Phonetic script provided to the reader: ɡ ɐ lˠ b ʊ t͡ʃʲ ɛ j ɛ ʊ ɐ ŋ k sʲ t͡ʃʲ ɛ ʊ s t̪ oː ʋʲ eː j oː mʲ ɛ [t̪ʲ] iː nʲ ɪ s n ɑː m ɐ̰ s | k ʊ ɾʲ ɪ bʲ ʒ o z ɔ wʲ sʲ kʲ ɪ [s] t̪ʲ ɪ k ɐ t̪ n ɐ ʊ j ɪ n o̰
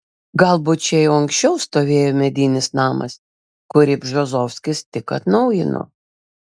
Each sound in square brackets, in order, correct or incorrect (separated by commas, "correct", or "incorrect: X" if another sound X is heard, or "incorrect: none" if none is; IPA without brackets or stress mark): incorrect: d̪ʲ, correct